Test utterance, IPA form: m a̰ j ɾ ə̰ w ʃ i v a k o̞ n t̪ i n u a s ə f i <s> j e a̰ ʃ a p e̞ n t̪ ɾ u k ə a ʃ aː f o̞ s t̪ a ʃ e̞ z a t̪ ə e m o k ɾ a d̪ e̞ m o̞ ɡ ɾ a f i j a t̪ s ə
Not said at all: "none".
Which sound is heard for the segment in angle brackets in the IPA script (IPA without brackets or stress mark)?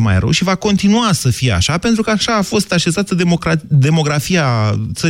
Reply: none